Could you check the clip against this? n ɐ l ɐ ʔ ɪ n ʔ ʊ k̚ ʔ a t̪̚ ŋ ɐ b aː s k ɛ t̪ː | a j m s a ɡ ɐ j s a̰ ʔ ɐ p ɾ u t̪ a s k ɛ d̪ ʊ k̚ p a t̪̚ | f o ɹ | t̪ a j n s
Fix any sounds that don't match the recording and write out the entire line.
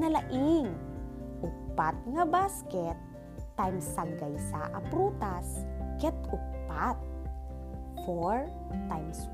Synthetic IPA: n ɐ l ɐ ʔ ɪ ŋ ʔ ʊ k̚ p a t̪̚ ŋ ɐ b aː s k ɛ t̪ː | a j m s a ɡ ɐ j s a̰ ʔ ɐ p ɾ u t̪ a s k ɛ t̪ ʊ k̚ p a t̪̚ | f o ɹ | t̪ a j m s